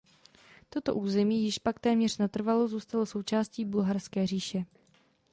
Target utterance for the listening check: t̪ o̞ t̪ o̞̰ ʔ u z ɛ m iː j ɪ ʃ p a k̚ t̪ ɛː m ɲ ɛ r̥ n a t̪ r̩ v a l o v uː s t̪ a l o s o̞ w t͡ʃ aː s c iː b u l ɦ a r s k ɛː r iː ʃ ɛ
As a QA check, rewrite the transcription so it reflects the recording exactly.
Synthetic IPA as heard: t̪ o̞ t̪ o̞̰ ʔ uː z ɛ m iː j ɪ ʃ p a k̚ t̪ ɛː m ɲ ɛ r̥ n a t̪ r̩ v a l o z uː s t̪ a l o s o̞ w t͡ʃ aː s c iː b u l ɦ a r s k ɛː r iː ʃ ɛ

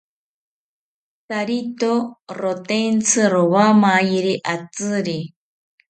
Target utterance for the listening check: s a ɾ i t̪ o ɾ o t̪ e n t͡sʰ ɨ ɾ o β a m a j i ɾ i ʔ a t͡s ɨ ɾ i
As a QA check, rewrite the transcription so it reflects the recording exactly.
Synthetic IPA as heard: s a ɾ i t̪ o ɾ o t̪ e n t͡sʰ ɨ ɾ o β a m a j i ɾ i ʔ a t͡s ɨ ɾ i

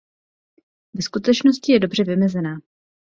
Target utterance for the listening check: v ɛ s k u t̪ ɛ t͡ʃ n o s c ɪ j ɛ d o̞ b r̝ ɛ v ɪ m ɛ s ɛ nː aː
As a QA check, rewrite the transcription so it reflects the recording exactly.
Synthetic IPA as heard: v ɛ s k u t̪ ɛ t͡ʃ n o s c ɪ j ɛ d o̞ b r̝ ɛ v ɪ m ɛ z ɛ n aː

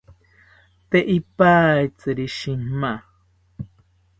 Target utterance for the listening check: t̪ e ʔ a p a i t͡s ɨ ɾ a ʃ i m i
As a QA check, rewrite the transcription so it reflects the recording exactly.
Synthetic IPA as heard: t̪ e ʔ i p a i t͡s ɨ ɾ i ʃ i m a

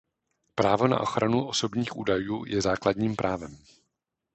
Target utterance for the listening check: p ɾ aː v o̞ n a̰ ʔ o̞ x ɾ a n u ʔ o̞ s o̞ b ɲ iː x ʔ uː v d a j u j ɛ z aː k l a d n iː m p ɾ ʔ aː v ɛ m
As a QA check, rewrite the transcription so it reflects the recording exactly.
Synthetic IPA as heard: p ɾ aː v o̞ n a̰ ʔ o̞ x ɾ a n u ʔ o̞ s o̞ b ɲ iː x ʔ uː d a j uː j ɛ z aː k l a d ɲ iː m p ɾ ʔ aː v ɛ m

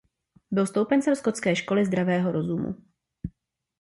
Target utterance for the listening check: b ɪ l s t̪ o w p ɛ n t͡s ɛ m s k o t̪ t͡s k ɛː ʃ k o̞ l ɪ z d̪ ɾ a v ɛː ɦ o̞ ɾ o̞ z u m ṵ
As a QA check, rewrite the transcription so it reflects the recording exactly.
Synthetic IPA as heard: b ɪ l s t̪ o w p ɛ n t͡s ɛ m s k o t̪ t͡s k ɛː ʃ k o̞ l ɪ z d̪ ɾ a v ɛː ɦ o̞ ɾ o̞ z u m ṵ

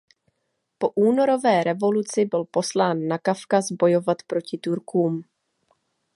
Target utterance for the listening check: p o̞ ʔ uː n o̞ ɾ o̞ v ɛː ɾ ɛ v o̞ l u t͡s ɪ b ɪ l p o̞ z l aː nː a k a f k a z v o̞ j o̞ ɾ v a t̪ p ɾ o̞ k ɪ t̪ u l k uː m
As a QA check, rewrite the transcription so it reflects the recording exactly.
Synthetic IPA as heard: p o̞ ʔ uː n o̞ ɾ o̞ v ɛː ɾ ɛ v o̞ l u t͡s ɪ b ɪ l p o̞ s l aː nː a k a f k a z b o̞ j o̞ v a t̪ p ɾ o̞ c ɪ t̪ u ɾ k uː m

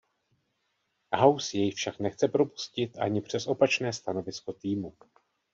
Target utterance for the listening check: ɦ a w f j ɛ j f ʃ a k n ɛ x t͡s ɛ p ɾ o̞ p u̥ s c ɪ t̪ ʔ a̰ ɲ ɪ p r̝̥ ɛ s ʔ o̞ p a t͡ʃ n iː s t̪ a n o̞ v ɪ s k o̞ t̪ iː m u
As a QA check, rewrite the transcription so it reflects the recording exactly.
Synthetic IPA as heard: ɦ a w s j ɛ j f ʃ a k n ɛ x t͡s ɛ p ɾ o̞ p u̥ s c ɪ t̪ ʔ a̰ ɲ ɪ p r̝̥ ɛ s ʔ o̞ p a t͡ʃ n ɛː s t̪ a n o̞ v ɪ s k o̞ t̪ iː m u

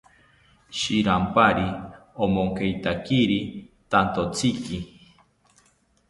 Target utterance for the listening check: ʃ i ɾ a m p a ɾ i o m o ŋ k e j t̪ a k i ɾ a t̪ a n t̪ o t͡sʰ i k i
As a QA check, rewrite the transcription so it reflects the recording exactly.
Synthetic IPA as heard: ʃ i ɾ a m p a ɾ i o m o ŋ k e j t̪ a k i ɾ i t̪ a n t̪ o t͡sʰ i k i

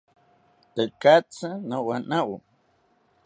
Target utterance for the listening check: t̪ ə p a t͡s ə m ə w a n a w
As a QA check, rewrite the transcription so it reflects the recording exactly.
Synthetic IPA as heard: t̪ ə k a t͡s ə n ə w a n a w

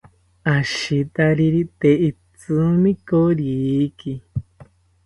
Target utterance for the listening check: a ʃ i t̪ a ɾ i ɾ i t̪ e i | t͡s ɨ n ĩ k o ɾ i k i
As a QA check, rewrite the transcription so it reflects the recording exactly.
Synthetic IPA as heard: a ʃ i t̪ a ɾ i ɾ i t̪ e i | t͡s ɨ m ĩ k o ɾ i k i

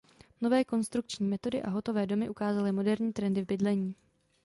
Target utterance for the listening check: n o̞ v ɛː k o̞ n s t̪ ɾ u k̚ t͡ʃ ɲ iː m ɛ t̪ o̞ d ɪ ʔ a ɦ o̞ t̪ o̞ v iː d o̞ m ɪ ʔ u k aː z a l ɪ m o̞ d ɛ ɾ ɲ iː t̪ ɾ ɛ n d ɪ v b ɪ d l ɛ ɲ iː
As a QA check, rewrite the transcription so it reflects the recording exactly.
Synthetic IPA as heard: n o̞ v ɛː k o̞ n s t̪ ɾ u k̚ t͡ʃ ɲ iː m ɛ t̪ o̞ d ɪ ʔ a ɦ o̞ t̪ o̞ v ɛː d o̞ m ɪ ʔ u k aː z a l ɪ m o̞ d ɛ ɾ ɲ iː t̪ ɾ ɛ n d ɪ v b ɪ d l ɛ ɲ iː

